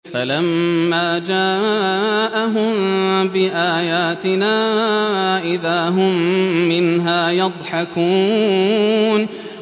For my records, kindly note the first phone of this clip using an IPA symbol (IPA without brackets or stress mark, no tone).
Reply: f